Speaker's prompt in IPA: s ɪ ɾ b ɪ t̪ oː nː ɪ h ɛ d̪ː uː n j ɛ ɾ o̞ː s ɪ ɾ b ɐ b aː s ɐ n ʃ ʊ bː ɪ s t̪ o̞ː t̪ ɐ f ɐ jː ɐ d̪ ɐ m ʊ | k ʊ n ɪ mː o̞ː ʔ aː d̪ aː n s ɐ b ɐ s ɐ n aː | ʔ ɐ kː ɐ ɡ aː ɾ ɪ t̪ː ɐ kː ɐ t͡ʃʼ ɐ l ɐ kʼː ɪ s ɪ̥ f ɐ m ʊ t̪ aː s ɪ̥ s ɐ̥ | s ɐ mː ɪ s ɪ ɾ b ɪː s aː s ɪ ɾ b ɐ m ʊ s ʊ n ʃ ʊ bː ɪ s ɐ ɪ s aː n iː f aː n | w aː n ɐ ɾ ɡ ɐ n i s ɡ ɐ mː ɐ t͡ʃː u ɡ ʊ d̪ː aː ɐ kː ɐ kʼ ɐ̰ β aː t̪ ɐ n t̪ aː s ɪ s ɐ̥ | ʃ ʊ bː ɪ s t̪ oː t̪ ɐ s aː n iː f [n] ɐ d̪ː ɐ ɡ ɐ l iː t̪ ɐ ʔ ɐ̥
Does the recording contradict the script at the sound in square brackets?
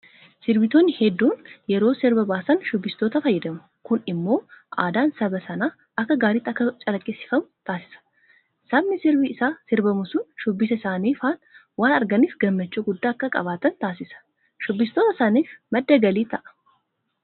yes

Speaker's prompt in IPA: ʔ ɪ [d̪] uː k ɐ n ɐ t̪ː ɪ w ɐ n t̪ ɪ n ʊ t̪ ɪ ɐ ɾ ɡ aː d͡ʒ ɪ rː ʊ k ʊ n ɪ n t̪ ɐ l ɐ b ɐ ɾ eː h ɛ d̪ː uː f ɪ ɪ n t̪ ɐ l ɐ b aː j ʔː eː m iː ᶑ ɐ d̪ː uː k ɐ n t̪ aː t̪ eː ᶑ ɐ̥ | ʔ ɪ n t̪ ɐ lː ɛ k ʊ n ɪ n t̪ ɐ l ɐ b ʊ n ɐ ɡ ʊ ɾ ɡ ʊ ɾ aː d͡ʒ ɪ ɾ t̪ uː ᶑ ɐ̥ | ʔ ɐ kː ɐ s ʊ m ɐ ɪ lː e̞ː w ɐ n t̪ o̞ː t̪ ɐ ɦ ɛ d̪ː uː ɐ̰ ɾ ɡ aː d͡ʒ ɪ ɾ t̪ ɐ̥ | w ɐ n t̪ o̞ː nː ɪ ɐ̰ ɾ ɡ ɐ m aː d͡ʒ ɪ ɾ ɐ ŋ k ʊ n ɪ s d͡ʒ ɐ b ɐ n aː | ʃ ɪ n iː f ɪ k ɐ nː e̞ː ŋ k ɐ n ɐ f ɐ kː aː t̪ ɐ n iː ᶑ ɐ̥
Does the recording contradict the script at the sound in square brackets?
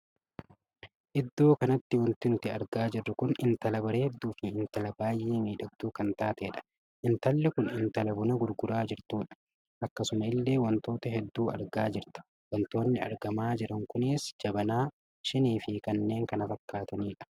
yes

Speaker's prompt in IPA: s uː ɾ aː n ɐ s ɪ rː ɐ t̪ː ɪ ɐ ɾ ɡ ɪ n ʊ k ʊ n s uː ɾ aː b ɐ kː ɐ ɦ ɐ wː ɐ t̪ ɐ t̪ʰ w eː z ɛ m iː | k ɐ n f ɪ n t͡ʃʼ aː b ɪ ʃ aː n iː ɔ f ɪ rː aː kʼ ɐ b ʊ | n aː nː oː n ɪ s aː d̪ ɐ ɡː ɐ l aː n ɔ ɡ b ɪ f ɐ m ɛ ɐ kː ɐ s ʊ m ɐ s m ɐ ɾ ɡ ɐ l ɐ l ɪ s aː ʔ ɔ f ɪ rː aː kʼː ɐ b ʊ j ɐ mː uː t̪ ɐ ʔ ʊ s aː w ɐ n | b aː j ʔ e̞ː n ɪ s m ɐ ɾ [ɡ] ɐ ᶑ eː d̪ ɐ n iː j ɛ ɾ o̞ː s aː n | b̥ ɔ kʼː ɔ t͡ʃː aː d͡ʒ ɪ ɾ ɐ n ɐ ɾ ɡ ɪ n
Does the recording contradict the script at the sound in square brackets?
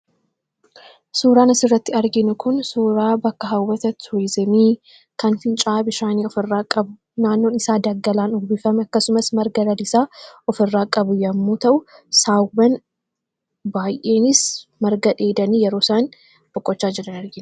no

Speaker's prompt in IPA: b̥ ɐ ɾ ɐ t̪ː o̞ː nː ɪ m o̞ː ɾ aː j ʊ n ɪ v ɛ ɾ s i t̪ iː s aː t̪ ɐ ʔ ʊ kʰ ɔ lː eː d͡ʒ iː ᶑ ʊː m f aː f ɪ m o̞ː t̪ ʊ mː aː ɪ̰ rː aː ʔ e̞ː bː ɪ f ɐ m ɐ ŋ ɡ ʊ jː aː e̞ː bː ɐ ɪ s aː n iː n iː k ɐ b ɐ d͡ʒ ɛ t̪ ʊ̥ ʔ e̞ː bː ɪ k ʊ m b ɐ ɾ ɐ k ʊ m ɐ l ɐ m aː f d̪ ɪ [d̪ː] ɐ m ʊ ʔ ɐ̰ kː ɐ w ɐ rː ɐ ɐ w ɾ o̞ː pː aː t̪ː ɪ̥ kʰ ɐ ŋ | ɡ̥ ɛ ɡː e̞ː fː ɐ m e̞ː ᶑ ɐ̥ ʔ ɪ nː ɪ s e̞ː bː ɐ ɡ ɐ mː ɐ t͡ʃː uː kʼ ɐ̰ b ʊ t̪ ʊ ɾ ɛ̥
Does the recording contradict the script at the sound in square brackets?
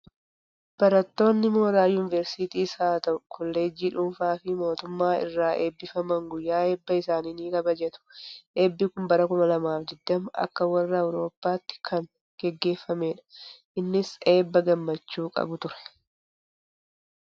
no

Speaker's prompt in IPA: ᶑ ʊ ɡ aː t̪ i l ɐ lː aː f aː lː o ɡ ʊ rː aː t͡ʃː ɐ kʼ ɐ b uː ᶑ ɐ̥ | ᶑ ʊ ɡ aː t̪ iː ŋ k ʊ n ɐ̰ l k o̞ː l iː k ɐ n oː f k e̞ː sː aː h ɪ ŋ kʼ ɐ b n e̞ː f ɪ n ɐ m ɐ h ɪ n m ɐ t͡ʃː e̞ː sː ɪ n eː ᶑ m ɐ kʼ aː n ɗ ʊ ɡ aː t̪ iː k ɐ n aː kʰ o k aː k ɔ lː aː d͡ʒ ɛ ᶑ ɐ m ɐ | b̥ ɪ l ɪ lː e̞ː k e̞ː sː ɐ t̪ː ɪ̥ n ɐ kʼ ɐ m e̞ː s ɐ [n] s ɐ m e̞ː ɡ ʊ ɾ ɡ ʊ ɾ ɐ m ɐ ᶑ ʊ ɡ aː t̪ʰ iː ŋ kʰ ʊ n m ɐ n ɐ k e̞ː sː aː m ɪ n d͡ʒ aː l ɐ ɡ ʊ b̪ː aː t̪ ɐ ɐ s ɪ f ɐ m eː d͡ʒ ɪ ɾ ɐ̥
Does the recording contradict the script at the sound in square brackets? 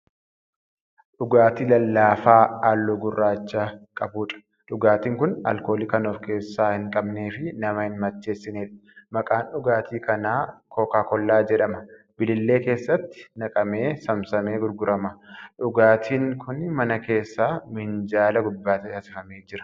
yes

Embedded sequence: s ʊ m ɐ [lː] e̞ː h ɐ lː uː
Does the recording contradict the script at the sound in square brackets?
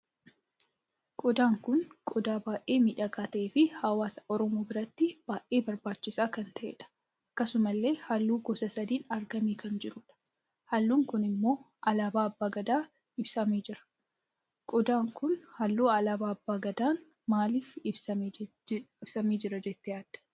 no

